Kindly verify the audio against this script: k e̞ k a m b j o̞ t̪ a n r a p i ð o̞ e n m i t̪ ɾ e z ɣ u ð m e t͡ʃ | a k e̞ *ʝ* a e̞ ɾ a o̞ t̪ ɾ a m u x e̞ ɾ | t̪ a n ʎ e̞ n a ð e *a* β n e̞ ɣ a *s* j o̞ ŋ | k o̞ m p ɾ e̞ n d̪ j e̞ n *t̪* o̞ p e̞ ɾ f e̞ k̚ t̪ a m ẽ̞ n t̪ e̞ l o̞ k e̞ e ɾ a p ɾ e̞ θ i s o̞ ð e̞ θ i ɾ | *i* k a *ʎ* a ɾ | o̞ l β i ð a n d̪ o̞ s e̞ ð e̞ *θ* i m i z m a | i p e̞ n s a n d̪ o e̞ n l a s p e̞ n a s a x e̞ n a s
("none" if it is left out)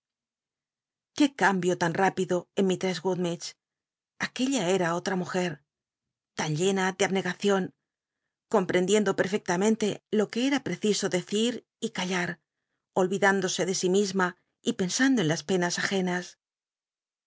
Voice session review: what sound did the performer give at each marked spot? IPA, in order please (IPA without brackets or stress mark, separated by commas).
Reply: ʎ, a, θ, d̪, i, ʎ, s